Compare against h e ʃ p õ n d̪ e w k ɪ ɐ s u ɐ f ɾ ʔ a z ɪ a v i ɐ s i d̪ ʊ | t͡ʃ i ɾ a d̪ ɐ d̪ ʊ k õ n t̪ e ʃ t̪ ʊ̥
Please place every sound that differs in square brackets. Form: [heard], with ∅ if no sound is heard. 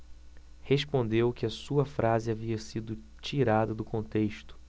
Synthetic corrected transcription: h e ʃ p õ n d̪ e w k ɪ ɐ s u ɐ f ɾ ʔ a z ɪ a v i ɐ s i d̪ ʊ | t͡ʃ i ɾ a d̪ ɐ d̪ ʊ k õ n t̪ e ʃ t̪ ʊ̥